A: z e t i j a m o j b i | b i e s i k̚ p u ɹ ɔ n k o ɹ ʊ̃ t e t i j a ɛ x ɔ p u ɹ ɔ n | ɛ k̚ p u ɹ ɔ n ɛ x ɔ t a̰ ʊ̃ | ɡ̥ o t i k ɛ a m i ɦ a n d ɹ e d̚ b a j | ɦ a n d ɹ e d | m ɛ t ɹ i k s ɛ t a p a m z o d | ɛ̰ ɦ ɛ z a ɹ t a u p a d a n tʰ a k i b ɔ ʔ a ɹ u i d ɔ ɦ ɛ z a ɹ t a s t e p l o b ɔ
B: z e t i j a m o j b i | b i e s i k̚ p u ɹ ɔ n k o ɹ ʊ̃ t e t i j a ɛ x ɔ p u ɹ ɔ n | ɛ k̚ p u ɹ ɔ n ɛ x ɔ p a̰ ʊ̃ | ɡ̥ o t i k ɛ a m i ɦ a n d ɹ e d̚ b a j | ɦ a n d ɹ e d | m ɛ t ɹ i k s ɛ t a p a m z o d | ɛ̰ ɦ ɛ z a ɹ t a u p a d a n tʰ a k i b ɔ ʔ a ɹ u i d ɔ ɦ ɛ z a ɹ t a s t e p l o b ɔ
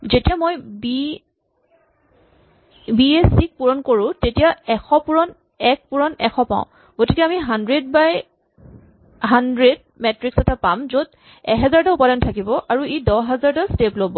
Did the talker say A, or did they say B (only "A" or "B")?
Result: B